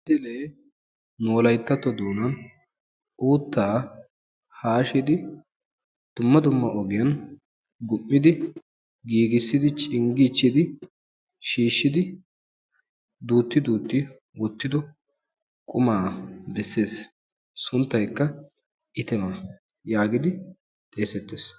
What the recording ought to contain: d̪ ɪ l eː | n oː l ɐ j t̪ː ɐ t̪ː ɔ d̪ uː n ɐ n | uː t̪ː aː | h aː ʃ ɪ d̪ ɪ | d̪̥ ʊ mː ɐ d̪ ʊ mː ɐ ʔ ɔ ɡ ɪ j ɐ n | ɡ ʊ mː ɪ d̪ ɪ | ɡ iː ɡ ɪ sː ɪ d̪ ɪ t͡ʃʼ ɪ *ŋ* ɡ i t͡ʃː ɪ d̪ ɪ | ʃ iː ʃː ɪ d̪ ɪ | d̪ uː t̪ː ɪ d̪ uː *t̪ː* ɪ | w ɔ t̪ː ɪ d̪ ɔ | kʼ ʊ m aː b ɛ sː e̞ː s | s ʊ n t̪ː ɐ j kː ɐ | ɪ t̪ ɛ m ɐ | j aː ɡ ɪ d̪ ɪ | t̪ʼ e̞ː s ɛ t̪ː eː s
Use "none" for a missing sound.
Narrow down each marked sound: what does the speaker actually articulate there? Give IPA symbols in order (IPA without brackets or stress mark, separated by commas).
ŋ, t̪ː